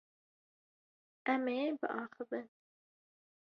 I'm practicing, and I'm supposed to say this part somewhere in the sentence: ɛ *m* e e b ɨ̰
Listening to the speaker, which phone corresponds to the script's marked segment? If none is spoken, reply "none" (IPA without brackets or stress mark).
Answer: m